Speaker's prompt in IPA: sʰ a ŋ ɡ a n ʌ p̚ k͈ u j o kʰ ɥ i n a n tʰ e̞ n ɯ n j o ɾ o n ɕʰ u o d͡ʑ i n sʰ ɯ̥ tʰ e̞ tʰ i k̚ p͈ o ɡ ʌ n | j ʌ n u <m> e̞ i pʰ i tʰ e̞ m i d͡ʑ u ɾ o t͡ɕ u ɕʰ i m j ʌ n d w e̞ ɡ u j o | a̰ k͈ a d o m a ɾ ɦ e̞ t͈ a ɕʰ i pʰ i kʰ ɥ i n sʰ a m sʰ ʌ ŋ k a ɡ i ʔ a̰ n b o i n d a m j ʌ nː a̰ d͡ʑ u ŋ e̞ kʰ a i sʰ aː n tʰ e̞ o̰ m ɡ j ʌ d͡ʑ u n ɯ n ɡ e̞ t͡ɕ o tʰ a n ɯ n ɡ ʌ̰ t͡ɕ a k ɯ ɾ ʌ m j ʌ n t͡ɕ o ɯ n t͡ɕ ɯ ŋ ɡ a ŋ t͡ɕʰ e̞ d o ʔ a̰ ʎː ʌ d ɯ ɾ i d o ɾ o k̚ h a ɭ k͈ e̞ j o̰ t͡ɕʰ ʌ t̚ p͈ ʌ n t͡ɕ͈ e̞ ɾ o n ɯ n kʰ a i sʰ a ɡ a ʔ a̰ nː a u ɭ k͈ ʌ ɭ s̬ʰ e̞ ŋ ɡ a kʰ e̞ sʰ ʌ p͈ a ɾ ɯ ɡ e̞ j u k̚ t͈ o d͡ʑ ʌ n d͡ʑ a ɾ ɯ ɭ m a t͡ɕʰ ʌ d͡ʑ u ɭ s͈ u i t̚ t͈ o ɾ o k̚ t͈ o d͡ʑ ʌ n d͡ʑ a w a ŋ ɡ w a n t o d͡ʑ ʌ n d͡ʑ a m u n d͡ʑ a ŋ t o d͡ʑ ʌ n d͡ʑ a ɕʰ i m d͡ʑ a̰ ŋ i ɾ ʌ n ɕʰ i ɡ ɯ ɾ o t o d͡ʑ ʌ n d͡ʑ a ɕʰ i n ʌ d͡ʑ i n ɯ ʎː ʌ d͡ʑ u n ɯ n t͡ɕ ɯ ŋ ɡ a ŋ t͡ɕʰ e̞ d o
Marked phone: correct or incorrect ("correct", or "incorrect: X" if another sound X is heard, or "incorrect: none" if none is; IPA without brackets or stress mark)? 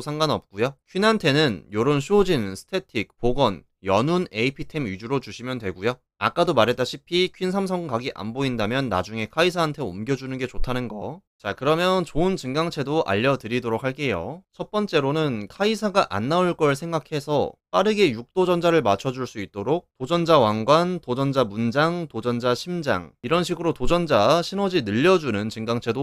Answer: incorrect: n